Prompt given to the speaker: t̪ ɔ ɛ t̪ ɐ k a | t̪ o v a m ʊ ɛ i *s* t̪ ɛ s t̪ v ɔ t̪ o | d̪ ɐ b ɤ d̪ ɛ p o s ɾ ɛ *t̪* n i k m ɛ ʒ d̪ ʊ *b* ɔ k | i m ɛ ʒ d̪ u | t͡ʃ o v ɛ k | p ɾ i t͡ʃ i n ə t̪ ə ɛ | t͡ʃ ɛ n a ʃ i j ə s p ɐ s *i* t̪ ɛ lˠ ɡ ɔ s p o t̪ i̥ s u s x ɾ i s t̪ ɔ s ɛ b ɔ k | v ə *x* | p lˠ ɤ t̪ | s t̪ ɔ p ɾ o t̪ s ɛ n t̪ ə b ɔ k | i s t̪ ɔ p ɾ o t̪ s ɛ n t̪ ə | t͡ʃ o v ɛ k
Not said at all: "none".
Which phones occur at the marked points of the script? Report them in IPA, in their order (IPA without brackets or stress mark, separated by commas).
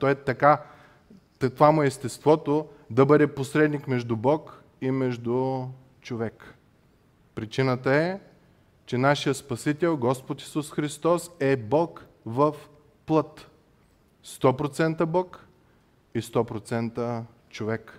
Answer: s, d̪, b, i, f